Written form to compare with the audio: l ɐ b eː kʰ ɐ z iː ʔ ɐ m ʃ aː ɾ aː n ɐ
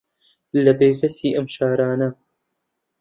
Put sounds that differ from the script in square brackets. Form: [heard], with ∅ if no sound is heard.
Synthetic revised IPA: l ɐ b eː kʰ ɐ [s] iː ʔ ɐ m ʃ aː ɾ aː n ɐ